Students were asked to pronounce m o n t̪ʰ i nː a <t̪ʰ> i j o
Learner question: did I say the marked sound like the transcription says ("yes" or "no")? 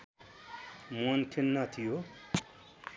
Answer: yes